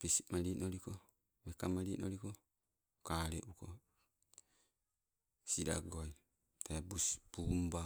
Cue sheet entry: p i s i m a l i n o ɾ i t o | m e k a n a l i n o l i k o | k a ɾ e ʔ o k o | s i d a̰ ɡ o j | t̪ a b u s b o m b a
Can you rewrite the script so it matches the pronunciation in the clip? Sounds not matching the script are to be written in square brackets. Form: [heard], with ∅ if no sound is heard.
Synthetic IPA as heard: p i s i m a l i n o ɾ i [k] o | m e k a [m] a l i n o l i k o | k a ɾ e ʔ [u] k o | s i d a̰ ɡ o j | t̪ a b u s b [u] m b a